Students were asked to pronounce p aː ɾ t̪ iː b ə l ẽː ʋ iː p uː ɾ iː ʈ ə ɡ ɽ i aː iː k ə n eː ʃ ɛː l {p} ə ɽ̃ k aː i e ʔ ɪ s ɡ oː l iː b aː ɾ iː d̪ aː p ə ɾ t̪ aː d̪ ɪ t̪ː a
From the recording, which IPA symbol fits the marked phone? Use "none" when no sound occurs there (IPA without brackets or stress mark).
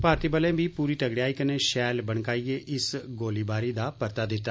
b